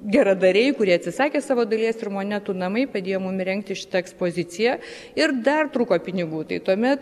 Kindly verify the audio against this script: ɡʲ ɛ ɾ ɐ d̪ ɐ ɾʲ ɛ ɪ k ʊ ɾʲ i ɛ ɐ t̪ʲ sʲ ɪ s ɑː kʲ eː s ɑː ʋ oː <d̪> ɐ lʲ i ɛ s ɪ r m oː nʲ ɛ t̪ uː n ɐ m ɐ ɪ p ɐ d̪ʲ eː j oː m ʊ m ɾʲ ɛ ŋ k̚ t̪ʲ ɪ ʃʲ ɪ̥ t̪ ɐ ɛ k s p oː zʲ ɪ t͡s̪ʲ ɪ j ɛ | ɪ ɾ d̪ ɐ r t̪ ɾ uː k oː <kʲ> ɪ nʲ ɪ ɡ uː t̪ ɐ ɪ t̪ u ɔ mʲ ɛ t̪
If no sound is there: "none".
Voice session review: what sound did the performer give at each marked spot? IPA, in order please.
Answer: d̪, pʲ

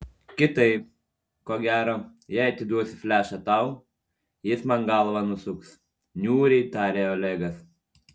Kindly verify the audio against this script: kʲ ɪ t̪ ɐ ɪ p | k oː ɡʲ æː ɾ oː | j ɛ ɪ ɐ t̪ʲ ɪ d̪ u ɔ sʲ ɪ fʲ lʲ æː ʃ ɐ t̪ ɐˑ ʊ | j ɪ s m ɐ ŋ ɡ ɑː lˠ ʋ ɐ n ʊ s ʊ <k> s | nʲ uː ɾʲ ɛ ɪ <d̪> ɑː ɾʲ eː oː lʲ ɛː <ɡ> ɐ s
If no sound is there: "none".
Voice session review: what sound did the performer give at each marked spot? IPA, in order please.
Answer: k, t̪, ɡ

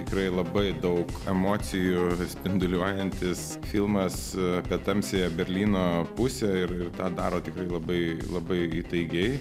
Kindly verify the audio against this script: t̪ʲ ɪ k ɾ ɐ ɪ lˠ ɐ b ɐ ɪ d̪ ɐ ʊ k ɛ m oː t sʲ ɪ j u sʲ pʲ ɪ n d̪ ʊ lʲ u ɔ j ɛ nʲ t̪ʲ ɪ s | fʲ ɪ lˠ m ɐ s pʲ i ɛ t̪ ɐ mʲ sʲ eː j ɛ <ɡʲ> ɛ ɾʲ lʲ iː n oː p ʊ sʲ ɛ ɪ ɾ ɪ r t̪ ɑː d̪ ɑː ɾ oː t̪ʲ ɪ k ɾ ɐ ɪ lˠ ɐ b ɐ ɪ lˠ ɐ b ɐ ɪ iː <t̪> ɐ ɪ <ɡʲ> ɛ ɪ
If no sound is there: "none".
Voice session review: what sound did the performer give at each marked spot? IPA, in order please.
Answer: bʲ, t̪, ɡʲ

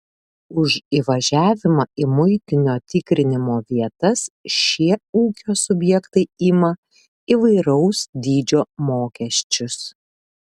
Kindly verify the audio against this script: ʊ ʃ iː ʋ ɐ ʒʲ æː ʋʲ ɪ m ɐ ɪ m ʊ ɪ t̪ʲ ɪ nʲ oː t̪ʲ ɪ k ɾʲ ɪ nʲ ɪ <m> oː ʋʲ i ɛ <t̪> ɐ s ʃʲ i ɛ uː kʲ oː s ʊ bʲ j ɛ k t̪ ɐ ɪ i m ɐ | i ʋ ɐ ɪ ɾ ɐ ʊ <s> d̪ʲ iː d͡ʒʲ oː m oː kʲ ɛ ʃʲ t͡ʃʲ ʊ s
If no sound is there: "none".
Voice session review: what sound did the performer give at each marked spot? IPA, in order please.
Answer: m, t̪, s

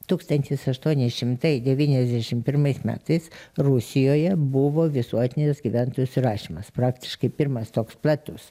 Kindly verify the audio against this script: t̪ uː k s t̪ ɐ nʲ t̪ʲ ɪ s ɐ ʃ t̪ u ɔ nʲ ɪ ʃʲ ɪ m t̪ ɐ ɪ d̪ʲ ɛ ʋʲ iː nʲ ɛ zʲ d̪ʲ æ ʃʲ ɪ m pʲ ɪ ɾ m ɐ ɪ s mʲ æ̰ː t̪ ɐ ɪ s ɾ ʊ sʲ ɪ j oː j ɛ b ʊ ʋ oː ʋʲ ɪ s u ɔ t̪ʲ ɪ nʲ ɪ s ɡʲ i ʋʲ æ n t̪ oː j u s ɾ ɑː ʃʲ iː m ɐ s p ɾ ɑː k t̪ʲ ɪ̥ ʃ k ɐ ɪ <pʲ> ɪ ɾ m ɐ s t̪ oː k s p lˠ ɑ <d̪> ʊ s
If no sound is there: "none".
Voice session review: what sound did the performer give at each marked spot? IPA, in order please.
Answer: pʲ, t̪

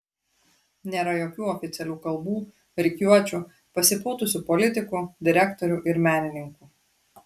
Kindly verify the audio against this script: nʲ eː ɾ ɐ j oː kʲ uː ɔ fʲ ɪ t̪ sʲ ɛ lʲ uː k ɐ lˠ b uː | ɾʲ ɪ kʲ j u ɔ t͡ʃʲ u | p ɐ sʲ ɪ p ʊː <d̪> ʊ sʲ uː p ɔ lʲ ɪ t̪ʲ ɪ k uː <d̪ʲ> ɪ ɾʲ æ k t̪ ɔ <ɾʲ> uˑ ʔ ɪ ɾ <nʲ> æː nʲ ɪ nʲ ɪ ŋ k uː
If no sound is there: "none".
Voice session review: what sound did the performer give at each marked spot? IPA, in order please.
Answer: t̪, d̪ʲ, ɾʲ, mʲ

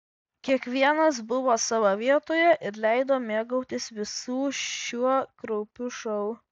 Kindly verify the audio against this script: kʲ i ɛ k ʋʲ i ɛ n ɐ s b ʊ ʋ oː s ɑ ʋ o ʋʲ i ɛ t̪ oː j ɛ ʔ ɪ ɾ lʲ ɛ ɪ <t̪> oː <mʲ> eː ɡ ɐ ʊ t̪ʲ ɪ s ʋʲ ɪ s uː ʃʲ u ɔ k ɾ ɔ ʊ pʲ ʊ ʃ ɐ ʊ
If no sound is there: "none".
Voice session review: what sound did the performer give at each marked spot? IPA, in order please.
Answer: d̪, mʲ

